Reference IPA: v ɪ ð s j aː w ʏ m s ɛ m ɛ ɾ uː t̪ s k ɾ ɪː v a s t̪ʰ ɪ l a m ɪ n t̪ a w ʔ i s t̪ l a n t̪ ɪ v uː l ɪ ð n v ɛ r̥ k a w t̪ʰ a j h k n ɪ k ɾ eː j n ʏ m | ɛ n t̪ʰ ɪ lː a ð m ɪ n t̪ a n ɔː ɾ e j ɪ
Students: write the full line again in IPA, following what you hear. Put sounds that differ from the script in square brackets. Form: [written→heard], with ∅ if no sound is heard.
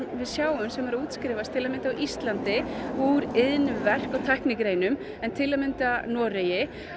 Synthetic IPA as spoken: v ɪ ð s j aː w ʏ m s ɛ m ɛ ɾ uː t̪ s k ɾ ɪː v a s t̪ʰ ɪ l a m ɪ n t̪ a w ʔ i s t̪ l a n t̪ ɪ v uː [l→ɾ] ɪ ð n v ɛ r̥ k a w t̪ʰ a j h k n ɪ k ɾ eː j n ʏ m | ɛ n t̪ʰ ɪ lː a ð m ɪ n t̪ a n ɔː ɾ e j ɪ